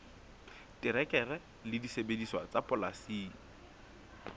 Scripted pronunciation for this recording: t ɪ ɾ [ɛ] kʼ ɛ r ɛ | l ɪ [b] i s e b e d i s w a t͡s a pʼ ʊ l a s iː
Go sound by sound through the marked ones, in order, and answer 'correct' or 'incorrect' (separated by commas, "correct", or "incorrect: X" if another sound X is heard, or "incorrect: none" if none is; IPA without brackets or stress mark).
correct, incorrect: d